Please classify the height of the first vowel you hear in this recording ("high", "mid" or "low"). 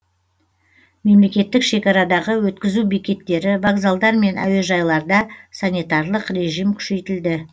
mid